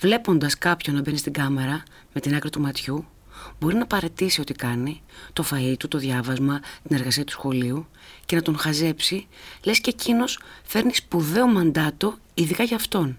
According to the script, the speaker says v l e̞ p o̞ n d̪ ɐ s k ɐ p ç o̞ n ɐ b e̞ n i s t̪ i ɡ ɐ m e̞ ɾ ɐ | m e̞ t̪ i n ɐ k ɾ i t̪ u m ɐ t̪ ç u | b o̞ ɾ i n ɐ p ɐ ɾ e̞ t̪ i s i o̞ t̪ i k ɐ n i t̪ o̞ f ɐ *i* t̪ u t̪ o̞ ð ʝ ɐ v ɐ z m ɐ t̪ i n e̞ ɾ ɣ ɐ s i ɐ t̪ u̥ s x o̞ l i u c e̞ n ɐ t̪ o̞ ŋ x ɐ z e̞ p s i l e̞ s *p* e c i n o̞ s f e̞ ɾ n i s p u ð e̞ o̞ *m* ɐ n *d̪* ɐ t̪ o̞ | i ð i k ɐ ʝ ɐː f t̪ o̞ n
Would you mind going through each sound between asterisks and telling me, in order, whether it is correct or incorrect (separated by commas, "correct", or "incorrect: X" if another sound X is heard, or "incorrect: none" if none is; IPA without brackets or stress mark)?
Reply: correct, incorrect: c, correct, correct